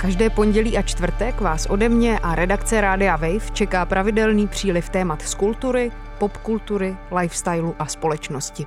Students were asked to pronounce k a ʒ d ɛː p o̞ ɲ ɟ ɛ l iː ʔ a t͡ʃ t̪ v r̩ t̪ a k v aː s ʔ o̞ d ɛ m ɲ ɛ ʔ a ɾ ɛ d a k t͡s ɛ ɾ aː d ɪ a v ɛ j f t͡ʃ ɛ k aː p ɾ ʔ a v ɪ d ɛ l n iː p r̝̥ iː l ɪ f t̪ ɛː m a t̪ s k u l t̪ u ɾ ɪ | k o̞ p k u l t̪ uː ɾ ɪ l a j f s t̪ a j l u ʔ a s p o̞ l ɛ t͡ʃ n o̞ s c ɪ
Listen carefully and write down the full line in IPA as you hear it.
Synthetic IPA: k a ʒ d ɛː p o̞ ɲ ɟ ɛ l iː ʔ a t͡ʃ t̪ v r̩ t̪ ɛ k v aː s ʔ o̞ d ɛ m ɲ ɛ ʔ a ɾ ɛ d a k t͡s ɛ ɾ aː d ɪ a v ɛ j f t͡ʃ ɛ k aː p ɾ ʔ a v ɪ d ɛ l n iː p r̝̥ iː l ɪ f t̪ ɛː m a t̪ s k u l t̪ u ɾ ɪ | p o̞ p k u l t̪ u ɾ ɪ l a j f s t̪ a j l u ʔ a s p o̞ l ɛ t͡ʃ n o̞ s c ɪ